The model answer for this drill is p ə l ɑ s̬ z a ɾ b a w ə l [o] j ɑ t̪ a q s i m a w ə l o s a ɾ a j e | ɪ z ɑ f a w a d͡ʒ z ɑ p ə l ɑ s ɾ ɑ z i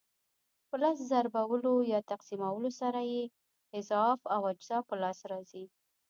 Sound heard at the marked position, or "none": o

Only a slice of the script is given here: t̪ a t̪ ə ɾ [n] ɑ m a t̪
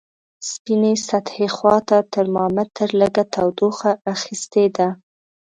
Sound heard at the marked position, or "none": m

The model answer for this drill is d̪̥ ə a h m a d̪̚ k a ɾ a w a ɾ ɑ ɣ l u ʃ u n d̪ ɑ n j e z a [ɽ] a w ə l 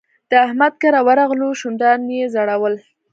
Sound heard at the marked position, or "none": ɽ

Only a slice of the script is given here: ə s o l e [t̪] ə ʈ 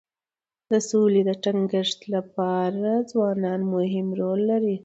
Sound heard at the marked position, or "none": d̪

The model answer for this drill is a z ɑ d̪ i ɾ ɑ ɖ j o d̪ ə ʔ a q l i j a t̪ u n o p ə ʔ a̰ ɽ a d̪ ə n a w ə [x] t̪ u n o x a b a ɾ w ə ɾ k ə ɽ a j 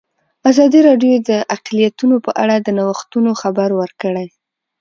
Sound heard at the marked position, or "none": x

